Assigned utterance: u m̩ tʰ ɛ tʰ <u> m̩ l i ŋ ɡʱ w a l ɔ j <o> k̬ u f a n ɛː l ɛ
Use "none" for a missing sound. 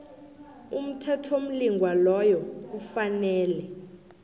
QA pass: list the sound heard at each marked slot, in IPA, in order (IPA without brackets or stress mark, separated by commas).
o, ɔ